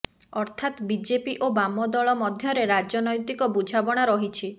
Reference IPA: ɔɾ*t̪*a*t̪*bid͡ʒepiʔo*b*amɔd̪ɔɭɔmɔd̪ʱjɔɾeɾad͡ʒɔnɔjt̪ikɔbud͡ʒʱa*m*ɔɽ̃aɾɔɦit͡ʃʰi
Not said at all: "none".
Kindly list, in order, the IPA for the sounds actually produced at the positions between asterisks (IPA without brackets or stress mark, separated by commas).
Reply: t̪ʰ, t̪, b, b